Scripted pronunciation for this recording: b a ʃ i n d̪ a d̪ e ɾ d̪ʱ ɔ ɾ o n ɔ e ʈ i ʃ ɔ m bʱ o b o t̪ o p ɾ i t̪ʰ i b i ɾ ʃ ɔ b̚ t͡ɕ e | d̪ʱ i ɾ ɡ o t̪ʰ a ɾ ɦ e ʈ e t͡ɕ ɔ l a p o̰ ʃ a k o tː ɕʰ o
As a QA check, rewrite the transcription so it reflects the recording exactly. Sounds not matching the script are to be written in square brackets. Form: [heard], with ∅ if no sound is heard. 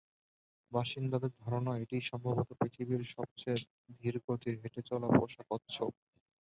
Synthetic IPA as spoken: b a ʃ i n d̪ a d̪ e ɾ d̪ʱ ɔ ɾ o n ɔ e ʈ i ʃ ɔ m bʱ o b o t̪ o p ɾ i t̪ʰ i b i ɾ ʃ ɔ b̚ t͡ɕ e | d̪ʱ i ɾ ɡ o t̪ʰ [i] ɾ ɦ e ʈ e t͡ɕ ɔ l a p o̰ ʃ a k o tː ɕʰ o